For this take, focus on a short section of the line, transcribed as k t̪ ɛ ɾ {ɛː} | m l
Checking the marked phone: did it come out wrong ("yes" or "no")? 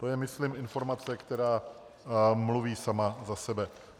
yes